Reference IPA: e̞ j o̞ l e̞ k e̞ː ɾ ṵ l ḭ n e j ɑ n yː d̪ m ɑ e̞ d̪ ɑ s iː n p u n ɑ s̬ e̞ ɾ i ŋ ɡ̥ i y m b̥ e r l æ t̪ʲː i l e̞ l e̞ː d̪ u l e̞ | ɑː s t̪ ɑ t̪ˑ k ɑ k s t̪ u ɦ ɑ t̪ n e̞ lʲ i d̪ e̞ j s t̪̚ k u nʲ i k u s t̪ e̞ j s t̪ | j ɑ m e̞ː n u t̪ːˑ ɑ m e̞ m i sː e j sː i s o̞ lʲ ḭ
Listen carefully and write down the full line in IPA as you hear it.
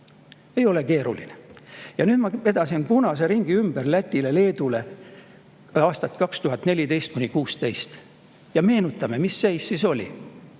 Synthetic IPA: e̞ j o̞ l e̞ k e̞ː ɾ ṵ l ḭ n e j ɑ n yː d̪ m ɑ e̞ d̪ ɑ s i n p u n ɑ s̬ e̞ ɾ i ŋ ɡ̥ i y m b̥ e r l æ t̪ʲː i l e̞ l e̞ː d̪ u l e̞ | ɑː s t̪ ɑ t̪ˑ k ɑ k s t̪ u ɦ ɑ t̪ n e̞ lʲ i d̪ e̞ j s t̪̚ k u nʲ i k uː s t̪ e̞ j s t̪ | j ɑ m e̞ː n u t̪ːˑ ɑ m e̞ m i sː e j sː i s o̞ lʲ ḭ